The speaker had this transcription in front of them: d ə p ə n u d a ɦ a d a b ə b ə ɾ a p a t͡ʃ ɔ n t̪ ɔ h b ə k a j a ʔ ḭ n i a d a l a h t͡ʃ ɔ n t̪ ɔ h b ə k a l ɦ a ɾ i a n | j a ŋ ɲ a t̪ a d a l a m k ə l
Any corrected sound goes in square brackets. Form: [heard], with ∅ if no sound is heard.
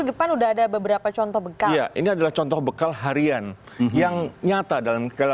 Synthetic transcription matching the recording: d ə p [a] n u d a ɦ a d a b ə b ə ɾ a p a t͡ʃ ɔ n t̪ ɔ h b ə k a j a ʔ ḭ n i a d a l a h t͡ʃ ɔ n t̪ ɔ h b ə k a l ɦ a ɾ i a n | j a ŋ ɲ a t̪ a d a l a m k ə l